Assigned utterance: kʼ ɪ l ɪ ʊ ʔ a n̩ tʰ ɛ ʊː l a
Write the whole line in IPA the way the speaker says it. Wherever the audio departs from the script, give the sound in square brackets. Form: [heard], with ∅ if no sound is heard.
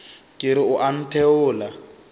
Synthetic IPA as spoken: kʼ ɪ [ɾ] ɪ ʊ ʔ a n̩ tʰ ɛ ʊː l a